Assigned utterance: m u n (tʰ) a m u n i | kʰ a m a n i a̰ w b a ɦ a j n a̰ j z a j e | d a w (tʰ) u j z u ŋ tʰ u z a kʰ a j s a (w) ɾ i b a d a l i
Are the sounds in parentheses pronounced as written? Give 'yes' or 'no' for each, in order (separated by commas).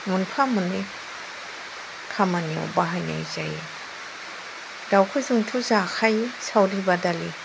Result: no, no, yes